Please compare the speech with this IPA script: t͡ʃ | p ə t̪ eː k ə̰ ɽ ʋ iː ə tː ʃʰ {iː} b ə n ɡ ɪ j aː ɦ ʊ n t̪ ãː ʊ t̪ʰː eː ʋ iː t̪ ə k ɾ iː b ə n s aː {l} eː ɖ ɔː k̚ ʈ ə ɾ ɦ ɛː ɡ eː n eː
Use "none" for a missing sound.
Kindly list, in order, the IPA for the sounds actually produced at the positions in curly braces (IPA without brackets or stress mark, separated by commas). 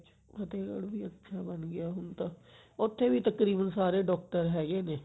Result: aː, ɾ